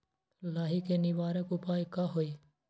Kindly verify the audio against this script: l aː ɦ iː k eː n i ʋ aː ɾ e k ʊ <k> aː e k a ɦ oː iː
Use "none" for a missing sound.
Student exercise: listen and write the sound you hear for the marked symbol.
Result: p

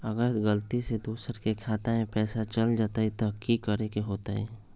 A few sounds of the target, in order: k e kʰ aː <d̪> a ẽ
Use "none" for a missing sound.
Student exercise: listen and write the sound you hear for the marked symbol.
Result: t̪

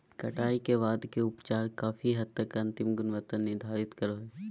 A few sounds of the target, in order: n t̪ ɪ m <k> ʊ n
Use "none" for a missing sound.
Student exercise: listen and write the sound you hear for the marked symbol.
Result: ɡ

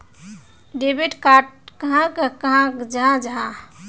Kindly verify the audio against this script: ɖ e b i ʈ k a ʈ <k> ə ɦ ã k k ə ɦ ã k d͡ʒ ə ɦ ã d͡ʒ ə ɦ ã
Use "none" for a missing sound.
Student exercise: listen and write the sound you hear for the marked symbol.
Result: k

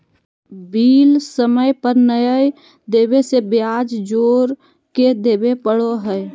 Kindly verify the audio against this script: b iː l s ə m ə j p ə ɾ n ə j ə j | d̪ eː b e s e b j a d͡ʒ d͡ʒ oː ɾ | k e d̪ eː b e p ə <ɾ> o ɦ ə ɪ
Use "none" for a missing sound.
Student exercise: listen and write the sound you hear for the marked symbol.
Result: ɽ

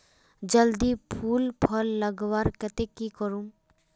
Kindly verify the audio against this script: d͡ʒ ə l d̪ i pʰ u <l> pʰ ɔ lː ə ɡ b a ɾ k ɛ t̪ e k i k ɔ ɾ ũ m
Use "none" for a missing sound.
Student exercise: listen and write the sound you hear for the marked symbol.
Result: l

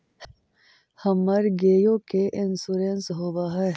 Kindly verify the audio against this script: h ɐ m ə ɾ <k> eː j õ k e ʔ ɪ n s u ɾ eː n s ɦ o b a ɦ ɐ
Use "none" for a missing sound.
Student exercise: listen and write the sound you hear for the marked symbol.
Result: ɡ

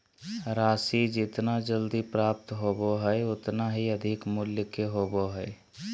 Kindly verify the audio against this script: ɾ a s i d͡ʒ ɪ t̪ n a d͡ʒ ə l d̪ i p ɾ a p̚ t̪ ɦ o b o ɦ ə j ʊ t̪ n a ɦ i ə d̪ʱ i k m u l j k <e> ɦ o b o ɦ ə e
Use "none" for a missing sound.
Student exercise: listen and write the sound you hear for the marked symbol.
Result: e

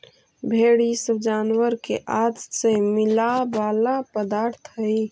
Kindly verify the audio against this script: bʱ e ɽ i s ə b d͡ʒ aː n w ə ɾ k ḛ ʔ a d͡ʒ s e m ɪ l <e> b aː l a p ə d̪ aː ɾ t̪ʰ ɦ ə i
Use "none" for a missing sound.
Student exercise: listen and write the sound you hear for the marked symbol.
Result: a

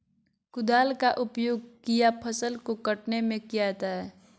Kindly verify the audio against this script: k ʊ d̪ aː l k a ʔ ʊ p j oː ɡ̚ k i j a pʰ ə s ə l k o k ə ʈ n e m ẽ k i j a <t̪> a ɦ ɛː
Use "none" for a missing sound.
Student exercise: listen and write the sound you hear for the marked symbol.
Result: t̪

